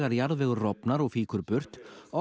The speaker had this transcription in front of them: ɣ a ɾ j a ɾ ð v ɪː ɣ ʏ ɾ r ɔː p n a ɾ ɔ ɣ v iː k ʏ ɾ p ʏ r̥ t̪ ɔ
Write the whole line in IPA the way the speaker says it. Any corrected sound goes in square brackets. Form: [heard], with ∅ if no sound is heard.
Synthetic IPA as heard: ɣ a ɾ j a ɾ ð v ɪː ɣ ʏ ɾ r [ɔ] p n a ɾ ɔ ɣ [f] iː k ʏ ɾ p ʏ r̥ t̪ ɔ